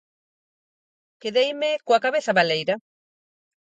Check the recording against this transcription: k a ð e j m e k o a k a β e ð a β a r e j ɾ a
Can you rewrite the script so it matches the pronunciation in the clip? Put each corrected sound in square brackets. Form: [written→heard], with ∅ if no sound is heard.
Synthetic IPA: k [a→e] ð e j m e k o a k a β e [ð→θ] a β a [r→l] e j ɾ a